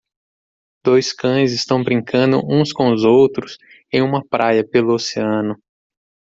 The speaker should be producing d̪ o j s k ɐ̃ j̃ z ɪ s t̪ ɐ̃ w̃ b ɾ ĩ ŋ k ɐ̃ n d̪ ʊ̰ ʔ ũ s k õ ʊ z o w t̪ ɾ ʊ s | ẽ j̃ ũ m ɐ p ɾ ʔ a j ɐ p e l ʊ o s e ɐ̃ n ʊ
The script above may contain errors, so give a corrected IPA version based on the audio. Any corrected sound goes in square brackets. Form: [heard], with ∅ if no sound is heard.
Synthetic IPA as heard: d̪ o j s k ɐ̃ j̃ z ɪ s t̪ ɐ̃ w̃ b ɾ ĩ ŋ k ɐ̃ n d̪ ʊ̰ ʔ ũ s k õ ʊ z o w t̪ ɾ ʊ s | ẽ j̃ ũ m ɐ p ɾ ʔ a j ɐ p e l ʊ o s e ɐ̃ n ʊ